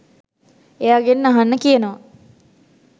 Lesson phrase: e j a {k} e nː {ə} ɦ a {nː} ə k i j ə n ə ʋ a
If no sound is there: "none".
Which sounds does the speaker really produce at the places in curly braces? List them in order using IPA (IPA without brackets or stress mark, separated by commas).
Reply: ɡ, a, nː